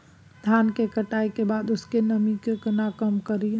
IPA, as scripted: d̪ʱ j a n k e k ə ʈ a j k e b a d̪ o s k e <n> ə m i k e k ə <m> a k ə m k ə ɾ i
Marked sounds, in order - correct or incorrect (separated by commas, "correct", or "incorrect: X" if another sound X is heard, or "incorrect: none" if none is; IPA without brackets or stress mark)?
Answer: correct, incorrect: n